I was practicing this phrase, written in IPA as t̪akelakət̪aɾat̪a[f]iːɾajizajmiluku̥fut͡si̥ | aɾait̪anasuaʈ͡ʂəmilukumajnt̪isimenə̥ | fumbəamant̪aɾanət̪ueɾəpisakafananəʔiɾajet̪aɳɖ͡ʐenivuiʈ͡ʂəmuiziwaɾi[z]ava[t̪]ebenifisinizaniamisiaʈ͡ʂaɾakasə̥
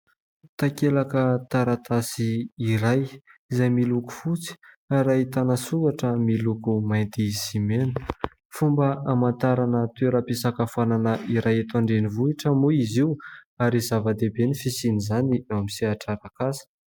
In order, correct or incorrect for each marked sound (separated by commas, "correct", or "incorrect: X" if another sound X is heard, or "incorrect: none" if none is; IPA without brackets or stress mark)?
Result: incorrect: s, correct, incorrect: d̪